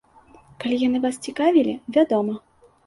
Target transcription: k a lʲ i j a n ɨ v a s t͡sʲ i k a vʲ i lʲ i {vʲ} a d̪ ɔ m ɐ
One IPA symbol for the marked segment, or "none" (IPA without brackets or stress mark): vʲ